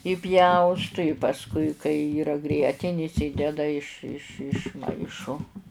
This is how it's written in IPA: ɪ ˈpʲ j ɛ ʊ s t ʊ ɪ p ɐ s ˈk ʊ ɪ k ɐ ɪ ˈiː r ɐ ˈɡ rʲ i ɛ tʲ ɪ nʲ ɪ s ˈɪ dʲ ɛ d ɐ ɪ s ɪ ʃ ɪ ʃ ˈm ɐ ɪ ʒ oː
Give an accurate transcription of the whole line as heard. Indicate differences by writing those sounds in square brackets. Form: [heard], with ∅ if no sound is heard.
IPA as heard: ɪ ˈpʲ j ɛ ʊ s t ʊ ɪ p ɐ s ˈk ʊ ɪ k ɐ ɪ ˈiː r ɐ ˈɡ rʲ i ɛ tʲ ɪ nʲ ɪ s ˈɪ dʲ ɛ d ɐ ɪ [ʃ] ɪ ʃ ɪ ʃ ˈm ɐ ɪ [ʃ] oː